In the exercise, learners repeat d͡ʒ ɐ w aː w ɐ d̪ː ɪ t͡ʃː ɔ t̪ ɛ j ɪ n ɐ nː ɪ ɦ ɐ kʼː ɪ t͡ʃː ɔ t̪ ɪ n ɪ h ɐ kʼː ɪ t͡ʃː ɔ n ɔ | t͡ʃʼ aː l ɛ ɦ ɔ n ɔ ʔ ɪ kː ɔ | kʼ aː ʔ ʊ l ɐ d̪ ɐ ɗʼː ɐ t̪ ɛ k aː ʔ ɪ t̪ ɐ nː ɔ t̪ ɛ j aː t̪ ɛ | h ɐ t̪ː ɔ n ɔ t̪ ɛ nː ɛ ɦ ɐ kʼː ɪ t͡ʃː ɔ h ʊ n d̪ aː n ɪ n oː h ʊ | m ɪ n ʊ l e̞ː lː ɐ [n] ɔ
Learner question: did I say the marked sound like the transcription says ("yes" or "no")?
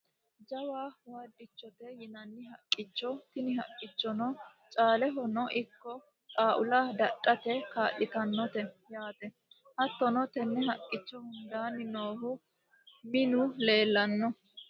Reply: no